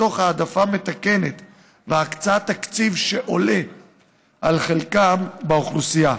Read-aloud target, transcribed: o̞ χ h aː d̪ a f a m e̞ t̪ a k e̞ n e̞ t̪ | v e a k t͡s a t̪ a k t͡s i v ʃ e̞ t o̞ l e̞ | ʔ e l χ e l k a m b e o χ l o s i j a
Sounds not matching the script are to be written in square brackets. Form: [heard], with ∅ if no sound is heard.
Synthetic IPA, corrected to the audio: o̞ χ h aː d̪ a f a m e̞ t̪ a k e̞ n e̞ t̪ | v e a k t͡s a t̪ a k t͡s i v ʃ e̞ [ʔ] o̞ l e̞ | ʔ [a] l χ e l k a m b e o χ l [u] s i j a